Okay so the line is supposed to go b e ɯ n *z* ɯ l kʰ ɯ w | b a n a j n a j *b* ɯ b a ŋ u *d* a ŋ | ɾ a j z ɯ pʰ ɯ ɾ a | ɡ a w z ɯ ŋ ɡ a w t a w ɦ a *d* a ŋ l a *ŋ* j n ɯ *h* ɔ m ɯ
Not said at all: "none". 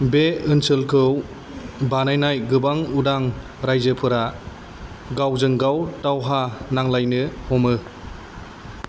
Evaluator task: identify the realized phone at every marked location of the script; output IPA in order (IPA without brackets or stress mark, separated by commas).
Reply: s, ɡ, d, n, none, h